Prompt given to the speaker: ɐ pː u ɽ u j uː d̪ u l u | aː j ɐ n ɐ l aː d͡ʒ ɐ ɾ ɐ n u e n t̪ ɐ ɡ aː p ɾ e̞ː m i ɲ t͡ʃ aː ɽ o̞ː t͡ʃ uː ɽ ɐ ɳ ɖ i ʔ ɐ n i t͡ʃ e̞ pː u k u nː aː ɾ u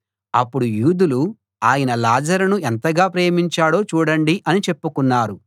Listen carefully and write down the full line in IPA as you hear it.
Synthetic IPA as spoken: ɐ pː u ɽ u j uː d̪ u l u | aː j ɐ n ɐ l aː d͡ʒ ɐ ɾ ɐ n u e n t̪ ɐ ɡ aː p ɾ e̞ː m i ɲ t͡ʃ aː ɽ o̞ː t͡ʃ uː ɽ ɐ ɳ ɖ i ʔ ɐ n i t͡ʃ e̞ pː u k u nː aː ɾ u